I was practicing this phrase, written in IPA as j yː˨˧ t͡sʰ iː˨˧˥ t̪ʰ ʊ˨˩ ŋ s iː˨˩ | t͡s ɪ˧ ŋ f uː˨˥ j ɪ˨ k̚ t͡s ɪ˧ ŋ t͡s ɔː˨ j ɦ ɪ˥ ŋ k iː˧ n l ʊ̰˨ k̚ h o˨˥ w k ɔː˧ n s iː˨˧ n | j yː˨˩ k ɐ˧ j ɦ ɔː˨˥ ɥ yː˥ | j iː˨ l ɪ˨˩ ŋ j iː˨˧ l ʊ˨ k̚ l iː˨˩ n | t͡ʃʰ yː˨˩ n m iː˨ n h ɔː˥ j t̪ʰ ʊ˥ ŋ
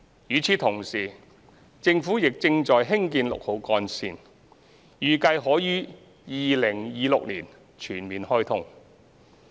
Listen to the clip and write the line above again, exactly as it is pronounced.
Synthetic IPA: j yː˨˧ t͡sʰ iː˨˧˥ t̪ʰ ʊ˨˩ ŋ s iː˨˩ | t͡s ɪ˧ ŋ f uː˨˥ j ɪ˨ k̚ t͡s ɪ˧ ŋ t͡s ɔː˨ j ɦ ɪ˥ ŋ k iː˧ n l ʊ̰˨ k̚ h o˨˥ w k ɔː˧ n s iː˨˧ n | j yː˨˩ k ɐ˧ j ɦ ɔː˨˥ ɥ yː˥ | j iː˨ l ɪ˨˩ ŋ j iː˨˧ l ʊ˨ k̚ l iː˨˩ n | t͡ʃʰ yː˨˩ n m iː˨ n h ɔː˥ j t̪ʰ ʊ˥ ŋ